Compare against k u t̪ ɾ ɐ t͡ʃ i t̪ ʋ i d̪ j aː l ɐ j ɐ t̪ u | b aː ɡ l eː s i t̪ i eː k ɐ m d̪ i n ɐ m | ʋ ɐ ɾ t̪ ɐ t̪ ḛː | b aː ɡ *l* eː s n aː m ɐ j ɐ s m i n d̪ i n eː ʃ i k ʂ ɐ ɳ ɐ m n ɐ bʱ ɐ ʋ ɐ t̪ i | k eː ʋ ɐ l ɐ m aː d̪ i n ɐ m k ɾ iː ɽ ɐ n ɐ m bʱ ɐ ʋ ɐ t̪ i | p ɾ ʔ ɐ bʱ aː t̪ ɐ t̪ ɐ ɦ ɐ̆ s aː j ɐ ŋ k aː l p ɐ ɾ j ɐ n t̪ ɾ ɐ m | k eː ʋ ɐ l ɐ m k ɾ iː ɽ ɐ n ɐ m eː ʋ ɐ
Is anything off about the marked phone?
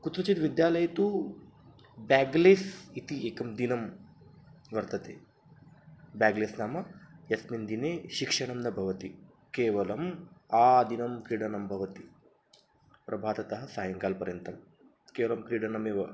no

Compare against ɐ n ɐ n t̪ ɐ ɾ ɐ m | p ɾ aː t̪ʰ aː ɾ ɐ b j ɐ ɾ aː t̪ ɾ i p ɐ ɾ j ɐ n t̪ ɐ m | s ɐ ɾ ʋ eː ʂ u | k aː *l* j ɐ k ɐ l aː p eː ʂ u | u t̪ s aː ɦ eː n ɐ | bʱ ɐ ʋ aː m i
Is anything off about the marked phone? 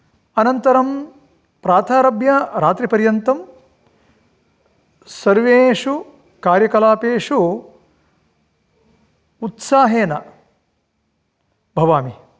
yes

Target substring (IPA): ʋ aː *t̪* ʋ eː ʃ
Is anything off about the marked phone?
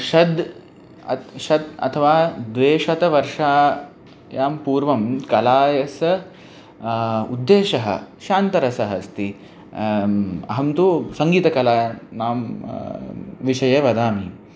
yes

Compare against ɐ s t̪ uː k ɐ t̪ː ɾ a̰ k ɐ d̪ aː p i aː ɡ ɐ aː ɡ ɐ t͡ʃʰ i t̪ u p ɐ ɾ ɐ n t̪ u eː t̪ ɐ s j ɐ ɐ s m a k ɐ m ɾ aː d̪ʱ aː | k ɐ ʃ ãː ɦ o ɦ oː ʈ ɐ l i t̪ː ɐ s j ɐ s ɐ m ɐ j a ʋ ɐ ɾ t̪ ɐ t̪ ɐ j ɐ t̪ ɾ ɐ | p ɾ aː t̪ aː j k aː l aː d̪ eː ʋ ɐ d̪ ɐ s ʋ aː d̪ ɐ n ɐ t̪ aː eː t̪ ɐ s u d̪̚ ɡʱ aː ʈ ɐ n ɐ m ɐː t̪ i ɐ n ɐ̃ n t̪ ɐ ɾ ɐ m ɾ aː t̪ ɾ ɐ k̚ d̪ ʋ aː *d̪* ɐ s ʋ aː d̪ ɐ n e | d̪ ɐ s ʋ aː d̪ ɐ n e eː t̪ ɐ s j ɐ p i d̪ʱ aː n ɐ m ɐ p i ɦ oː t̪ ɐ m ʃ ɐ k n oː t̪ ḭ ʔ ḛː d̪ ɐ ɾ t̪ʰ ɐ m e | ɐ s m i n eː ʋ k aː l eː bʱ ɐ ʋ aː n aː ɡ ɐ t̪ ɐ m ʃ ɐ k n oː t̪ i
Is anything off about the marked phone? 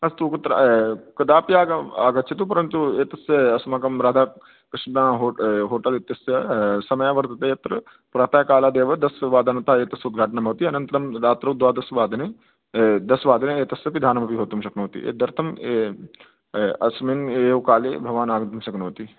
no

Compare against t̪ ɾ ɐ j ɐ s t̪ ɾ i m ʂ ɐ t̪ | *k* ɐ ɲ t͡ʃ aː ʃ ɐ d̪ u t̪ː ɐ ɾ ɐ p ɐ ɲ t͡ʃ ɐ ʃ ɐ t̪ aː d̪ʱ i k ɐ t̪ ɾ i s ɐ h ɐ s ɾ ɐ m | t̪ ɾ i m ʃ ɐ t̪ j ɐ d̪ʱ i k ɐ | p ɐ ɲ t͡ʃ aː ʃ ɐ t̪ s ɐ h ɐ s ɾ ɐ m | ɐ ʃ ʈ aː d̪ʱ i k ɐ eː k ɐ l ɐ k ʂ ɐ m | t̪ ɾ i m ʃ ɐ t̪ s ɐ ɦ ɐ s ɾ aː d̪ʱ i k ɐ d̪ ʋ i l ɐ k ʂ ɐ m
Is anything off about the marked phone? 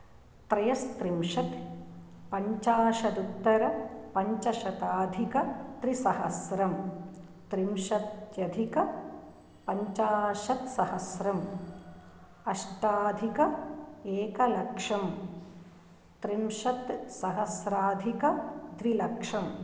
yes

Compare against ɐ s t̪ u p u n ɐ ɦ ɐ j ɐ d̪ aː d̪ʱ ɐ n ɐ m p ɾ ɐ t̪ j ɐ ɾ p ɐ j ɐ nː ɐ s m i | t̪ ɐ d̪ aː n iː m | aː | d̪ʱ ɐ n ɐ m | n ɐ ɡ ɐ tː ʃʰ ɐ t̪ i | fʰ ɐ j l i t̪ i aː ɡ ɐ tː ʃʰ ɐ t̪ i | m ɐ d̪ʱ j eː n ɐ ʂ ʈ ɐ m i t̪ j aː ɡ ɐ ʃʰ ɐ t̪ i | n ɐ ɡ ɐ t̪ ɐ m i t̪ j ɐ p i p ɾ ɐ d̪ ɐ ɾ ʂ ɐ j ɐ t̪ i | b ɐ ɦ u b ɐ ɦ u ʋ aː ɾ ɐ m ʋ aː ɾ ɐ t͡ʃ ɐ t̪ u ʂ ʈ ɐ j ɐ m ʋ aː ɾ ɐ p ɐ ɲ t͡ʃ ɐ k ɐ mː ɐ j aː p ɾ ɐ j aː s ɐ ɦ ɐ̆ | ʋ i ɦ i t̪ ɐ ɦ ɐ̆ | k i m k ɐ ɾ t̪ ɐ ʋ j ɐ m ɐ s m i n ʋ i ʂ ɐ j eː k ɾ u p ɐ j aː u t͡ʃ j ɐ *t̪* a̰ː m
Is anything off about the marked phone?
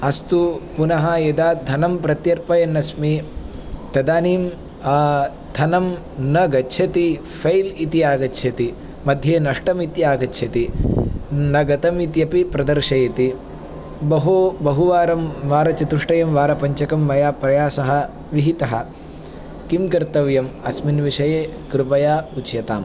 no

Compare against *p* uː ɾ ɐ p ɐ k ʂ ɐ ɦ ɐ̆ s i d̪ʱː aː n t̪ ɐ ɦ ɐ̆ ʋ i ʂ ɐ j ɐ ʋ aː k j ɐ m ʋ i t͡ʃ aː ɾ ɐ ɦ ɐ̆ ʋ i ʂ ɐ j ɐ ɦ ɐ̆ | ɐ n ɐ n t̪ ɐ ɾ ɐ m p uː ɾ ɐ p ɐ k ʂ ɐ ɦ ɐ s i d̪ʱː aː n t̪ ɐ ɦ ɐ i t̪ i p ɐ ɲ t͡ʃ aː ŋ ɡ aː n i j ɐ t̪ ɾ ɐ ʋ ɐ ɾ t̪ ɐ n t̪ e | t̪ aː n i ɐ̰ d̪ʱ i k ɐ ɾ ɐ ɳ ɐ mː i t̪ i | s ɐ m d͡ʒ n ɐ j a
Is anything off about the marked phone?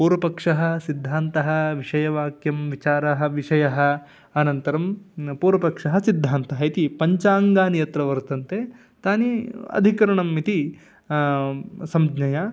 no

